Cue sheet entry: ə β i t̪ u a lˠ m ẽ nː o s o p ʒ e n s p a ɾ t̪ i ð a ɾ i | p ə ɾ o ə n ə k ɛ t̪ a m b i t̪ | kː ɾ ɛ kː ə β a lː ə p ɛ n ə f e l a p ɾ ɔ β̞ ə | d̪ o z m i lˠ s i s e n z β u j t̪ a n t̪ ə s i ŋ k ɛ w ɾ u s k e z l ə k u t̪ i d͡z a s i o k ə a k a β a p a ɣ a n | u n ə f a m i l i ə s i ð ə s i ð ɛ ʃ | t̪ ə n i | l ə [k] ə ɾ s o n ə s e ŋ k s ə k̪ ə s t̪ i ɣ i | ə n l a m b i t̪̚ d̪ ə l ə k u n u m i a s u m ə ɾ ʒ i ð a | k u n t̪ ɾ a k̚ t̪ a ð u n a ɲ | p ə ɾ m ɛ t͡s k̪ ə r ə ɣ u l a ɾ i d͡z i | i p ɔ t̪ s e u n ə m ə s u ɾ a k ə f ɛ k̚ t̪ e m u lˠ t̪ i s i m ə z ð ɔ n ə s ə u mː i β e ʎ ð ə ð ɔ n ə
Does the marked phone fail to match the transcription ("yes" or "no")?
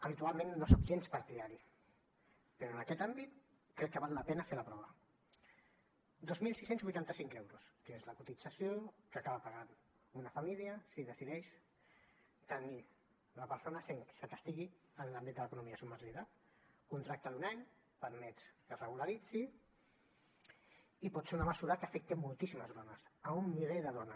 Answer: yes